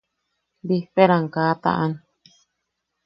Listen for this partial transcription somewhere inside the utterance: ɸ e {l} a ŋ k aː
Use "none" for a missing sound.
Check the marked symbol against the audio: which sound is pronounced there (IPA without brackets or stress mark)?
ɾ